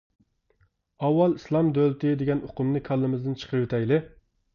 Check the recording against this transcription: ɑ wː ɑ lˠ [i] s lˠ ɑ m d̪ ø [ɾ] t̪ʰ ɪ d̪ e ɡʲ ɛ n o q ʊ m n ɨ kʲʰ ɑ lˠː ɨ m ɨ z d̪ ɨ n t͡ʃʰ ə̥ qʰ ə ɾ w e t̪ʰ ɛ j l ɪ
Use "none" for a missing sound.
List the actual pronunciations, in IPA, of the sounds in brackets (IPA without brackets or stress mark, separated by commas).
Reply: i, l